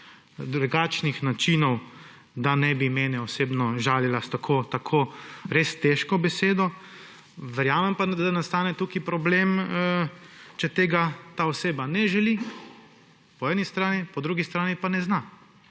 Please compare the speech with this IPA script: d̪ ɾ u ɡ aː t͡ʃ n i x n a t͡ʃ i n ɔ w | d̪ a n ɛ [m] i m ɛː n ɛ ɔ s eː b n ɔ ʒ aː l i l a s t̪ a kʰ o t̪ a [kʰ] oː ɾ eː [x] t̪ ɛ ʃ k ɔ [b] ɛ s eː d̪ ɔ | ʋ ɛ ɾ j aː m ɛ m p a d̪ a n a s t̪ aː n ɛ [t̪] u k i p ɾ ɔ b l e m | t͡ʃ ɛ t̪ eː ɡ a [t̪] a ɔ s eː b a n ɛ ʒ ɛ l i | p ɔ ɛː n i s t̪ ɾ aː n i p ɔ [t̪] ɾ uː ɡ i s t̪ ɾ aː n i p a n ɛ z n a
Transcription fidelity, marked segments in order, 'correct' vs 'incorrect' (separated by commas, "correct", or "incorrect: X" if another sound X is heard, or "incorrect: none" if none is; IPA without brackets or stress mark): incorrect: b, correct, incorrect: s, correct, correct, correct, incorrect: d̪